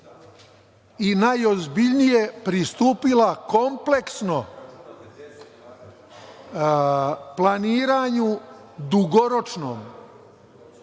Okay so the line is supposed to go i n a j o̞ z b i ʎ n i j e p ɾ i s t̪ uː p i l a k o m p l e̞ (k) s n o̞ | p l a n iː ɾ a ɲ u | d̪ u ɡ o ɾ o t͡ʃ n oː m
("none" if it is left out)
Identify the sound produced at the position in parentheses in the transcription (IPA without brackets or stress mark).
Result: k